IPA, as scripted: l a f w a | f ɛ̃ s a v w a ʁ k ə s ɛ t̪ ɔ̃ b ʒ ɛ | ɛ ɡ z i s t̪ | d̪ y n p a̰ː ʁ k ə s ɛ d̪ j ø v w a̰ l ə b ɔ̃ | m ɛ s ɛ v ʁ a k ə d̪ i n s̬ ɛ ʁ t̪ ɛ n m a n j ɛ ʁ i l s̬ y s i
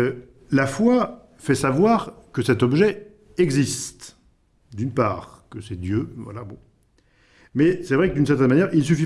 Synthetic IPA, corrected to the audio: l a f w a | f ɛ s a v w a ʁ k ə s ɛ t̪ ɔ b ʒ ɛ | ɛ ɡ z i s t̪ | d̪ y n p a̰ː ʁ k ə s ɛ d̪ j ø v w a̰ l a b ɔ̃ | m ɛ s ɛ v ʁ ɛ k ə d̪ y n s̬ ɛ ʁ t̪ ɛ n m a n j ɛ ʁ i l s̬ y f i